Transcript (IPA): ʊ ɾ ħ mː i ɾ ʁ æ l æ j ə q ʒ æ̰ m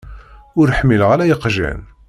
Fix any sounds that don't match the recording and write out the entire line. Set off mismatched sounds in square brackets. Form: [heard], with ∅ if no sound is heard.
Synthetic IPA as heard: ʊ ɾ ħ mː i [l] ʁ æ l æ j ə q ʒ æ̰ [n]